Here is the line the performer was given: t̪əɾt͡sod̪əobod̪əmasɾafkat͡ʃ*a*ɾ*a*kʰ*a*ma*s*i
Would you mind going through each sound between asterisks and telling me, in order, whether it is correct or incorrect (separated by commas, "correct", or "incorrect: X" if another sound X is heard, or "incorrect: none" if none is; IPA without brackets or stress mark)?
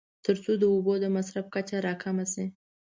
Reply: correct, incorrect: ɑ, correct, correct